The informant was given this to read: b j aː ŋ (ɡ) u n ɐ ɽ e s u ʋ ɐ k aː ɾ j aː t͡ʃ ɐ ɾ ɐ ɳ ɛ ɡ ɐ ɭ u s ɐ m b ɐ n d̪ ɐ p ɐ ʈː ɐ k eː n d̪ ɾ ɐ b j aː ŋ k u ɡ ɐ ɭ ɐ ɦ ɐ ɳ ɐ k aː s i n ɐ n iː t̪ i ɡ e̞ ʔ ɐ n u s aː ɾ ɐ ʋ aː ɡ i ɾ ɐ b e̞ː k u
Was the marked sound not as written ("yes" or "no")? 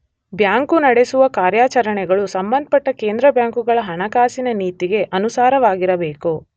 yes